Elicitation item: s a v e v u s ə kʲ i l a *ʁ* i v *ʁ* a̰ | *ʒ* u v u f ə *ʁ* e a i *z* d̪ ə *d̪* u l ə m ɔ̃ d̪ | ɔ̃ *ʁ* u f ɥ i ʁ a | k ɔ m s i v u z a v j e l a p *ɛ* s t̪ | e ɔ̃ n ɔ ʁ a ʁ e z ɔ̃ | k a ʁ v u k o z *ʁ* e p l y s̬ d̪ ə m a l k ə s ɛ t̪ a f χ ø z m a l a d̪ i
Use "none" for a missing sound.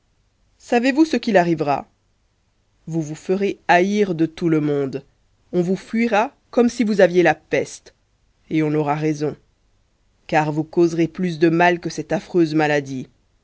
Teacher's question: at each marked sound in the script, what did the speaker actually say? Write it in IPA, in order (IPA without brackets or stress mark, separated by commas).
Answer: ʁ, ʁ, v, ʁ, ʁ, t̪, v, ɛ, ʁ